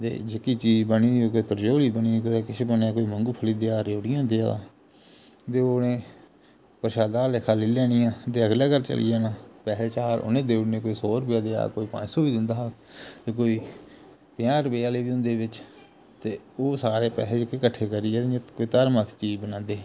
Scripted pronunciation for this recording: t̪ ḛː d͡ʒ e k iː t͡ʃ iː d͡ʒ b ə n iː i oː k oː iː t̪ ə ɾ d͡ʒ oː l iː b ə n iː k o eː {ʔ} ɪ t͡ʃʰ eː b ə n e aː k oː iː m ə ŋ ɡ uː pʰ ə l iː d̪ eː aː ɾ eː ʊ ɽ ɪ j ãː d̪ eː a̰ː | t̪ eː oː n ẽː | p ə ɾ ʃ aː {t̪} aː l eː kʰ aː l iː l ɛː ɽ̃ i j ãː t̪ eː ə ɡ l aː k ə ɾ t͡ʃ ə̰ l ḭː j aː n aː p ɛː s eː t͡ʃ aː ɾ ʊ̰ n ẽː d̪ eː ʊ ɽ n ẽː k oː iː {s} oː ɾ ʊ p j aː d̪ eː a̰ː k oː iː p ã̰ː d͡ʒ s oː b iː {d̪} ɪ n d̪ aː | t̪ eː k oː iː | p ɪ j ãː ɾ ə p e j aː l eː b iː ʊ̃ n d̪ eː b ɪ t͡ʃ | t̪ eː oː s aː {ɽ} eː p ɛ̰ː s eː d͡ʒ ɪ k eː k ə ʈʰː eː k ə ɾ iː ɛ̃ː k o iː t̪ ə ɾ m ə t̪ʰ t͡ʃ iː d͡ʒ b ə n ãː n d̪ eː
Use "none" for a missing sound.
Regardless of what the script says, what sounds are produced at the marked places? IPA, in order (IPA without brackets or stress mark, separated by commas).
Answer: k, d̪, s, d̪, ɾ